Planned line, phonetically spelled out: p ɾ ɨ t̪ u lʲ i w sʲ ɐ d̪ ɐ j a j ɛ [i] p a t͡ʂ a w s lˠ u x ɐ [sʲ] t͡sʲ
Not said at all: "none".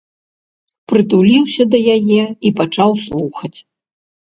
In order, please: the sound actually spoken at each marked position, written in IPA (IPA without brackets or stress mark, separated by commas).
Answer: i, none